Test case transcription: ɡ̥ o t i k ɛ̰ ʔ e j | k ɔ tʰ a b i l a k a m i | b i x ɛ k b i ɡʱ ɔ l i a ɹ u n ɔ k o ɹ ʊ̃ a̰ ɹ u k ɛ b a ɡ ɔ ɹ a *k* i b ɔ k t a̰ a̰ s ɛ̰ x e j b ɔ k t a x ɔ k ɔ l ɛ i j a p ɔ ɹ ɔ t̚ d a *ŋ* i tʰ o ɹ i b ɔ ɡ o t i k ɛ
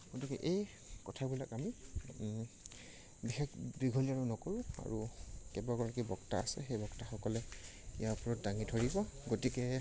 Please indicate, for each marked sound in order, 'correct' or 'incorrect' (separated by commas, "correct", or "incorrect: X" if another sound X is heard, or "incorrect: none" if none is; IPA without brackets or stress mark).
correct, correct